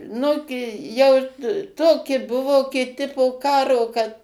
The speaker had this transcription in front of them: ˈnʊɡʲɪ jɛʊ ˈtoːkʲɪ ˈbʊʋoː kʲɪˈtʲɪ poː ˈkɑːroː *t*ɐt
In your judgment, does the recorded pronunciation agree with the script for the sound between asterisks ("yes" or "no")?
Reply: no